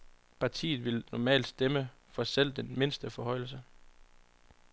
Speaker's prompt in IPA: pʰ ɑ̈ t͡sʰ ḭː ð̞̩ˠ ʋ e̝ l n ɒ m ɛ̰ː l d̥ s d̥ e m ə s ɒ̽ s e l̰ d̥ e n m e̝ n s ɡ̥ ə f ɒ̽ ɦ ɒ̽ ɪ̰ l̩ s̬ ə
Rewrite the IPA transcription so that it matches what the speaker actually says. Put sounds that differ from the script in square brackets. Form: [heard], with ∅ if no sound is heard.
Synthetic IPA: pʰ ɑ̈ t͡sʰ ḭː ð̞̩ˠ ʋ e̝ l n ɒ m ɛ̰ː l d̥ s d̥ e m ə [f] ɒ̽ s e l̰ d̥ e n m e̝ n s [d̥] ə f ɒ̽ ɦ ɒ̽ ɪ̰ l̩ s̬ ə